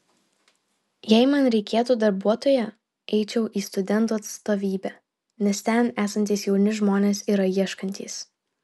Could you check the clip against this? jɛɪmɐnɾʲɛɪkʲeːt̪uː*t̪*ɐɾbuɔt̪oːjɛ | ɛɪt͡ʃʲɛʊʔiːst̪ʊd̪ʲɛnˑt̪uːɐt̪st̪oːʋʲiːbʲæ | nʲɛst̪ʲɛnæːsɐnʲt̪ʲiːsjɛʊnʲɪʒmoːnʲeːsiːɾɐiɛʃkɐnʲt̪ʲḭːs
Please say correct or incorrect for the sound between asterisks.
incorrect